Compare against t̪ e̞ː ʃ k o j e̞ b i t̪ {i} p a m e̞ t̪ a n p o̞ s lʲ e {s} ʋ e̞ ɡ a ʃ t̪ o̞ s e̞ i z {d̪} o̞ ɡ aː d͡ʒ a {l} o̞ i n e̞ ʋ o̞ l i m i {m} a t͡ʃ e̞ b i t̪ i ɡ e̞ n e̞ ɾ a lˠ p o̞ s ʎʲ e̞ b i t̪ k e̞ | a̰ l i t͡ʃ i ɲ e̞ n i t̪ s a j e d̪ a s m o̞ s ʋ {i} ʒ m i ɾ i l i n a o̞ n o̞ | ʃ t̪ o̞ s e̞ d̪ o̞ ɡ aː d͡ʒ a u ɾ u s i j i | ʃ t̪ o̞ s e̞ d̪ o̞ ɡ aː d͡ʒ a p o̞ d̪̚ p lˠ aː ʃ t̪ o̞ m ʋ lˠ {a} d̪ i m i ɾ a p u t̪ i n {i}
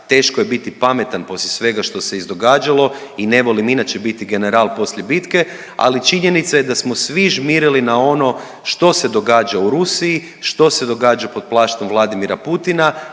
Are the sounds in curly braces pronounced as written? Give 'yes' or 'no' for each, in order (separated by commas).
yes, yes, yes, yes, no, yes, yes, no